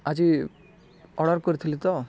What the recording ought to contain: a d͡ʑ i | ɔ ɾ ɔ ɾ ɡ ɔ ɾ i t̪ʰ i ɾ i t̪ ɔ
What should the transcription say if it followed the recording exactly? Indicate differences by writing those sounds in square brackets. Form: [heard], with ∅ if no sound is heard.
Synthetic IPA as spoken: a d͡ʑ i | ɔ [ɽ] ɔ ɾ [k] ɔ ɾ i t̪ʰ i [l] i t̪ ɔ